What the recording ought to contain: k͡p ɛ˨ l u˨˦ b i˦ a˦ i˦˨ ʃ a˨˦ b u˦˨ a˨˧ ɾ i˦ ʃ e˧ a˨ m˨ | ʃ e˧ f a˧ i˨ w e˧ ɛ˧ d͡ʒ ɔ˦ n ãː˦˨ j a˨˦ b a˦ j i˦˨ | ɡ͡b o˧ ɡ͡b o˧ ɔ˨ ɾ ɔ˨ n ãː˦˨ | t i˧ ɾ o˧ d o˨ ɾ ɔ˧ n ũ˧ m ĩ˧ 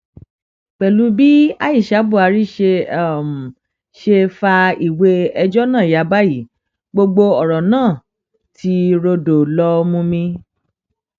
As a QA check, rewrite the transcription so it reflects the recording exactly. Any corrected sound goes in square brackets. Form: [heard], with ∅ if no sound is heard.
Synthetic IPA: k͡p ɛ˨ l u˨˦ b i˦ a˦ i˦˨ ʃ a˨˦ b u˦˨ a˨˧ ɾ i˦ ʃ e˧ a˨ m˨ | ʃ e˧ f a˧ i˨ w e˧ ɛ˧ d͡ʒ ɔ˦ n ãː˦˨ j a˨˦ b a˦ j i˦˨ | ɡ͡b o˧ ɡ͡b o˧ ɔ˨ ɾ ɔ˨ n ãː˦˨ | t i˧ ɾ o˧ d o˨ [l] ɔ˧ [m] ũ˧ m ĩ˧